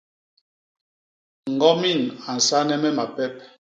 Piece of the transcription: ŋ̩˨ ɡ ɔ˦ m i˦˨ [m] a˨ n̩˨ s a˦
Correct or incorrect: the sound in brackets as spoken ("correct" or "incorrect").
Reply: incorrect